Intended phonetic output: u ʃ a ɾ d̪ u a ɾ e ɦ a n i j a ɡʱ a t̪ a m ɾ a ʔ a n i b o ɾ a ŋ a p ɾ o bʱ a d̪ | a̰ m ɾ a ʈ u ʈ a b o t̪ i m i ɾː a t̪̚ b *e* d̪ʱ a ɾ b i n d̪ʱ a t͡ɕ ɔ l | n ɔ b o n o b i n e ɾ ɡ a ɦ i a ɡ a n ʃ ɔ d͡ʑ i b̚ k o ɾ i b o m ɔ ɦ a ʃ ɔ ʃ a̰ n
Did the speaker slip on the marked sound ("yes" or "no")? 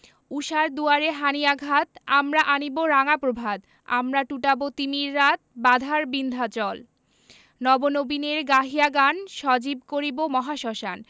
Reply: yes